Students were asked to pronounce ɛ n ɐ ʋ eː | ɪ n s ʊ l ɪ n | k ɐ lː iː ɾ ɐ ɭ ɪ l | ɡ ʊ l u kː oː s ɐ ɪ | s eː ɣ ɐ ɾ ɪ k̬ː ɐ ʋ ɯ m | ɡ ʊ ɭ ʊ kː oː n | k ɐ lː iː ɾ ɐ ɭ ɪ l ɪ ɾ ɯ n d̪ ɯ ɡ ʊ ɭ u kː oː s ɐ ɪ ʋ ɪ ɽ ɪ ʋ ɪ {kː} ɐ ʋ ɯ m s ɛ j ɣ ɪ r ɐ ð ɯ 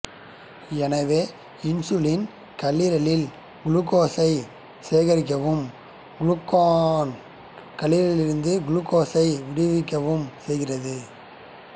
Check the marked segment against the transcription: correct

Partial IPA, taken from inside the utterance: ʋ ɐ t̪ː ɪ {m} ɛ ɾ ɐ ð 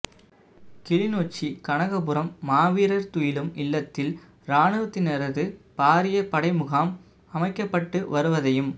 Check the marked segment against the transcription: incorrect: n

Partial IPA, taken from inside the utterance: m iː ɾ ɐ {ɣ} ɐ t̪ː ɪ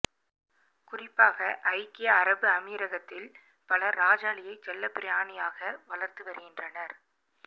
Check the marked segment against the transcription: correct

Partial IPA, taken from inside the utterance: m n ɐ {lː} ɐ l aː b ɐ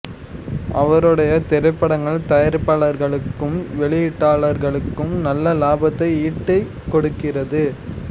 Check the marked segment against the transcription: correct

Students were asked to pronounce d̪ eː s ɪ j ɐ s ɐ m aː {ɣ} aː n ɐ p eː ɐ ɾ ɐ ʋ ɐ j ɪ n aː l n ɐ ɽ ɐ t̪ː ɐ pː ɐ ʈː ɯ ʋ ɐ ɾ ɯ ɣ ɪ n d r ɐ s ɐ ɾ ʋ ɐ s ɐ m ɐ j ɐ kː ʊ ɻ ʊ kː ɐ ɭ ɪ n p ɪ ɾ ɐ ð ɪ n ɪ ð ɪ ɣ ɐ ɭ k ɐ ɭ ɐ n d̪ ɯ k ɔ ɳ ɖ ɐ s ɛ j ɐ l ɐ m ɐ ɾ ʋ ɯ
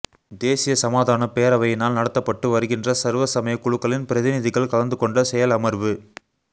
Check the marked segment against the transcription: incorrect: ð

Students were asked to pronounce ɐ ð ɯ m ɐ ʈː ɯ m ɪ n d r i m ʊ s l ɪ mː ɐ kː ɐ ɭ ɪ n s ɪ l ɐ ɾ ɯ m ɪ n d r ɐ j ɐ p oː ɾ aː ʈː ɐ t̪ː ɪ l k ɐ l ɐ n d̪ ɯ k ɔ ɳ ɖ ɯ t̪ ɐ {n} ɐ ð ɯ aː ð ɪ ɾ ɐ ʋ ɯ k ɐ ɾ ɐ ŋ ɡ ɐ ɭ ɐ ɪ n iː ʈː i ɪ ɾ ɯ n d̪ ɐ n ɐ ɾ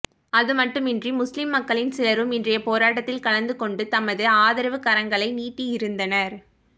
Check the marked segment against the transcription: incorrect: m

